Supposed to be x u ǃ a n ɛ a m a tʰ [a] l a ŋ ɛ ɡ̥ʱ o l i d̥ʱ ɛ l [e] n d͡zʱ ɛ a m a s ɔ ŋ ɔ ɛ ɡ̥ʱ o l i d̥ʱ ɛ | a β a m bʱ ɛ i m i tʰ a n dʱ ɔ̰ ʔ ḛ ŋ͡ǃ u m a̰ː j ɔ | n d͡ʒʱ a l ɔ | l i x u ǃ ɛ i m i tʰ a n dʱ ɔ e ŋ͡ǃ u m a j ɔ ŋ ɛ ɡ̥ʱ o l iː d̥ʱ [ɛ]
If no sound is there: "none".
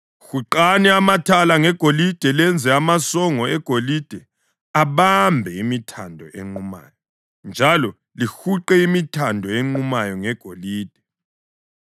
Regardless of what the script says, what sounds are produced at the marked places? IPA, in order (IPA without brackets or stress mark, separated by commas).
a, ɛ, ɛ